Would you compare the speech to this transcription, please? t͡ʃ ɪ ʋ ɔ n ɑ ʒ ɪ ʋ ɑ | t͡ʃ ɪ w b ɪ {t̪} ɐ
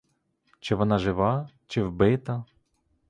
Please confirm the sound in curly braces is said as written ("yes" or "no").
yes